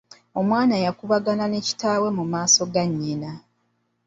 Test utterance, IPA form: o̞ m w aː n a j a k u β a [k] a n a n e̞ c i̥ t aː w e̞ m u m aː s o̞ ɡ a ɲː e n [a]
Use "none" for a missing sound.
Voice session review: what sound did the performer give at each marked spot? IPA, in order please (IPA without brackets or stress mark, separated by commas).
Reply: ɡ, a